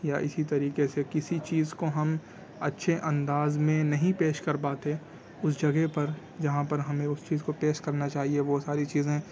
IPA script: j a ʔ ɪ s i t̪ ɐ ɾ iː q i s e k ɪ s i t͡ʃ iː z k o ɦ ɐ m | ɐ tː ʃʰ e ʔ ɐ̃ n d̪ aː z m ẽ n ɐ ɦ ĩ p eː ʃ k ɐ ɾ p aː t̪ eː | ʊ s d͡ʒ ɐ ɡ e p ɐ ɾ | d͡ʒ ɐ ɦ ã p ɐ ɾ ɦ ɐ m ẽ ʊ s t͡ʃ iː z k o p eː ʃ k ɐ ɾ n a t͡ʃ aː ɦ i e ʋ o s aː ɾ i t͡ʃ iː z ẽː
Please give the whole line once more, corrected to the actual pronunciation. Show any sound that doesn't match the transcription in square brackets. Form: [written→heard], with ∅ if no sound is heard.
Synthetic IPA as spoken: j a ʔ ɪ s i t̪ ɐ ɾ iː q [i→e] s e k ɪ s i t͡ʃ iː z k o ɦ ɐ m | ɐ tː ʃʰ e ʔ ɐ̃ n d̪ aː z m ẽ n ɐ ɦ ĩ p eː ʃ k ɐ ɾ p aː t̪ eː | ʊ s d͡ʒ ɐ ɡ e p ɐ ɾ | d͡ʒ ɐ ɦ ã p ɐ ɾ ɦ ɐ m ẽ ʊ s t͡ʃ iː z k o p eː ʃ k ɐ ɾ n a t͡ʃ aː ɦ i e ʋ o s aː ɾ i t͡ʃ iː z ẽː